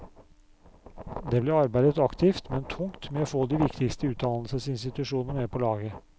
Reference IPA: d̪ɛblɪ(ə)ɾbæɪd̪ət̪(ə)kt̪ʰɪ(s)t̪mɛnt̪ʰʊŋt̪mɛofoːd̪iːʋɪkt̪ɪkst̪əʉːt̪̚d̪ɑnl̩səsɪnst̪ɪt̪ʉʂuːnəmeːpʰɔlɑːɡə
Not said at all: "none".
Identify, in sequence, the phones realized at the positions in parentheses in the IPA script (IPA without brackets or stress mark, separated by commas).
ɑ, ɑ, f